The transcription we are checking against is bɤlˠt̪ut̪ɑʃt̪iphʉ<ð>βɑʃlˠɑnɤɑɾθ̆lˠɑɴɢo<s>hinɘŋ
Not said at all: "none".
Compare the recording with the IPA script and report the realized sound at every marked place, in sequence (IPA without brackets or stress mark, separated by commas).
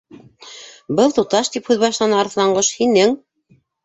ð, ʃ